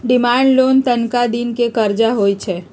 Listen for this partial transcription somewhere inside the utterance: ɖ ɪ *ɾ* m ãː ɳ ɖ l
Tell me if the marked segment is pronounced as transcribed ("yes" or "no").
no